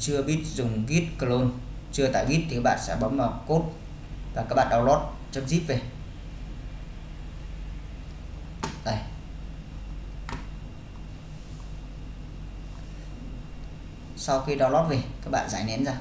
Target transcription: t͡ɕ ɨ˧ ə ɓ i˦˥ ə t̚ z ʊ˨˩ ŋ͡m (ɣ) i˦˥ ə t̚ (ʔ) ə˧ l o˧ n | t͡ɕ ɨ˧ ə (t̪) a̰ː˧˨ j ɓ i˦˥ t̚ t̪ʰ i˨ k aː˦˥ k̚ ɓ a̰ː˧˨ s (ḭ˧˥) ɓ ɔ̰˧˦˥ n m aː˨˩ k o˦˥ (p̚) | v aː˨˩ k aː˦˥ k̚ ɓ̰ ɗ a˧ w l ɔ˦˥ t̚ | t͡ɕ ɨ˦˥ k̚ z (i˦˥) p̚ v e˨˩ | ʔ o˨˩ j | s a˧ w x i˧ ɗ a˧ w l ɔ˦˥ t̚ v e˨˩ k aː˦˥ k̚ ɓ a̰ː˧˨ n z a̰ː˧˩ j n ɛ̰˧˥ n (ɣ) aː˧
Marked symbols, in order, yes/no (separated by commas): yes, no, yes, no, no, yes, no